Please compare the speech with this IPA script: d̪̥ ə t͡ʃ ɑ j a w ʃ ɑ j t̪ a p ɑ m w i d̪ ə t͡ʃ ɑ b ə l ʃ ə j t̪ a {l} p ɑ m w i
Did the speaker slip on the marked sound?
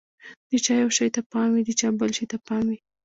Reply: yes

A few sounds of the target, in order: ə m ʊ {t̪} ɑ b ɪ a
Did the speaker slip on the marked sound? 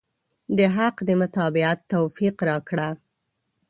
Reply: no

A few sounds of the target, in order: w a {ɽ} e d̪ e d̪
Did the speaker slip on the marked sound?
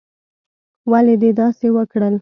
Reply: yes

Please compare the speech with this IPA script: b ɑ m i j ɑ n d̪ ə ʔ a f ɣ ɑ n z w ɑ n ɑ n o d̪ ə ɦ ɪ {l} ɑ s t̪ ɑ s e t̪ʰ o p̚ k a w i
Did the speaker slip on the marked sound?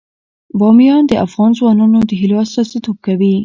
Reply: no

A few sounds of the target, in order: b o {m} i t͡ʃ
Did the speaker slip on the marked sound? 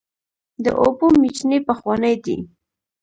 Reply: no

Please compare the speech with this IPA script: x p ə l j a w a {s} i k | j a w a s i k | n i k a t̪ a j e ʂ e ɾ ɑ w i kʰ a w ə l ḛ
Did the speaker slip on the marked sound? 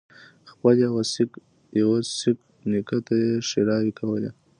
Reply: no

